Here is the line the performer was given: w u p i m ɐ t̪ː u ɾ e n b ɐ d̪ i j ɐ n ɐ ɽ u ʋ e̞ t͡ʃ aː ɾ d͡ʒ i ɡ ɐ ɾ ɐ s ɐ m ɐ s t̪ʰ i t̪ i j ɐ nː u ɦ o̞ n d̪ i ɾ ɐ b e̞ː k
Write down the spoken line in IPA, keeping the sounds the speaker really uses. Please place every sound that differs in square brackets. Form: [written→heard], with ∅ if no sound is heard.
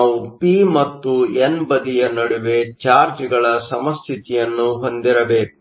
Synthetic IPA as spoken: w u p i m ɐ t̪ː u [ɾ→∅] e n b ɐ d̪ i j ɐ n ɐ ɽ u ʋ e̞ t͡ʃ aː ɾ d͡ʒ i ɡ ɐ [ɾ→ɭ] ɐ s ɐ m ɐ s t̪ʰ i t̪ i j ɐ nː u ɦ o̞ n d̪ i ɾ ɐ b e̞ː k